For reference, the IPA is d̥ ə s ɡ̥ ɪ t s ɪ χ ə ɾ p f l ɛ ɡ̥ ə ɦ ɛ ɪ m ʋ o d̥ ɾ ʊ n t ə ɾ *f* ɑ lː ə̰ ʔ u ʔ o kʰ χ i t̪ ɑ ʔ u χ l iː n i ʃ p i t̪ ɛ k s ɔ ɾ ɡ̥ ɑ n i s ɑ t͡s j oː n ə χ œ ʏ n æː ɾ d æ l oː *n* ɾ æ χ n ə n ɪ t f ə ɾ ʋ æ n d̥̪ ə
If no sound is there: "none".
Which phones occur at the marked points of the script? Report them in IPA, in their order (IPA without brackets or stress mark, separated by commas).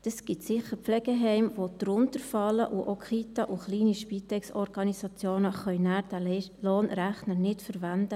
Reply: f, n